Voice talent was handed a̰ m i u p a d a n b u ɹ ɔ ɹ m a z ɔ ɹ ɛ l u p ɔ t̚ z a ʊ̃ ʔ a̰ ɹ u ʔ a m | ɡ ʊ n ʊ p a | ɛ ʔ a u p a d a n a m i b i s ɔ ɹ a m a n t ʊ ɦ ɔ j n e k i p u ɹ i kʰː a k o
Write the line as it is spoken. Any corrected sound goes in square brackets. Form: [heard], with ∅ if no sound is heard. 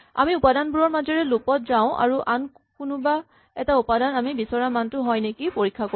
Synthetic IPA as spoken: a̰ m i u p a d a n b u ɹ ɔ ɹ m a z ɔ ɹ ɛ l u p ɔ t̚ z a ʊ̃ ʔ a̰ ɹ u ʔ a [n] | [k] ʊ n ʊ [b] a | ɛ [t] a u p a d a n a m i b i s ɔ ɹ a m a n t ʊ ɦ ɔ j n e k i p [o] ɹ i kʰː a k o